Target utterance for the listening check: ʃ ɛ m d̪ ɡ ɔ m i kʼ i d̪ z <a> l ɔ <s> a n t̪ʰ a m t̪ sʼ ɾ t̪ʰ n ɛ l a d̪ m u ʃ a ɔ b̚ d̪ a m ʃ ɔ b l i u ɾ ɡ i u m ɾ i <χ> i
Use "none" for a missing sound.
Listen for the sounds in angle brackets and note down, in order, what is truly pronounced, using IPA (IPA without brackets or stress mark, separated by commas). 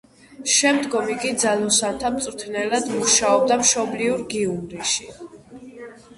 a, s, ʃ